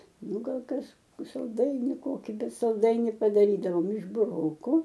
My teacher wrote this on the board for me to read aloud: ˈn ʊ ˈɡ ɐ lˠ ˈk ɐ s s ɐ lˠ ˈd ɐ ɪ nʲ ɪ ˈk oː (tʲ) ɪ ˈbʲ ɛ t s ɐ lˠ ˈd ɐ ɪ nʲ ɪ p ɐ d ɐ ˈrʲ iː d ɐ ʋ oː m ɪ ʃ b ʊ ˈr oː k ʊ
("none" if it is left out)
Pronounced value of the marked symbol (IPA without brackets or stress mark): kʲ